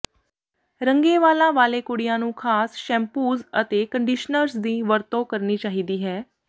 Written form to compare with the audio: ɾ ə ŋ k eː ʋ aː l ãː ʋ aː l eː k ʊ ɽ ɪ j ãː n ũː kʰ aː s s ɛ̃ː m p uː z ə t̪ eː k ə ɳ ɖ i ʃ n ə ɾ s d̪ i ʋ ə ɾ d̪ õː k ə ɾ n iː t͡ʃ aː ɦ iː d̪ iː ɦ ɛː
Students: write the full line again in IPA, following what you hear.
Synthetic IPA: ɾ ə ŋ ɡ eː ʋ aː l ãː ʋ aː l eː k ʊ ɽ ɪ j ãː n ũː kʰ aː s ʃ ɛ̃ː m p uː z ə t̪ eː k ə ɳ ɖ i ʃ n ə ɾ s d̪ iː ʋ ə ɾ t̪ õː k ə ɾ n iː t͡ʃ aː ɦ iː d̪ iː ɦ ɛː